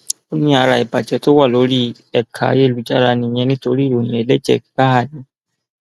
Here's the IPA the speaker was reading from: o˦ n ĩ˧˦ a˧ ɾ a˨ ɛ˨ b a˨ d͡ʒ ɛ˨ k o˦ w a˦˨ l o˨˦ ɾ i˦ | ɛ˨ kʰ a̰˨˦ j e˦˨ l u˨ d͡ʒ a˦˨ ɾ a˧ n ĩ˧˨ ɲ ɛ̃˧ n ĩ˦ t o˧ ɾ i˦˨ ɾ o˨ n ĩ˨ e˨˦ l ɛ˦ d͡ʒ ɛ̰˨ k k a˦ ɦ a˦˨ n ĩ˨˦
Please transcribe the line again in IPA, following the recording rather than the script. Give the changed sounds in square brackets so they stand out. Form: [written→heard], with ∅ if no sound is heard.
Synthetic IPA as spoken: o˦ n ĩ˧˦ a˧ ɾ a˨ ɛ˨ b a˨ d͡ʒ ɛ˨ [k→t] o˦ w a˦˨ l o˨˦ ɾ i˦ | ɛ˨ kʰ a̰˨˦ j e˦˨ l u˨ d͡ʒ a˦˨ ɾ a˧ n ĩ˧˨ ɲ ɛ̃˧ n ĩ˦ t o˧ ɾ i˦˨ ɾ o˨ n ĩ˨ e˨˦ l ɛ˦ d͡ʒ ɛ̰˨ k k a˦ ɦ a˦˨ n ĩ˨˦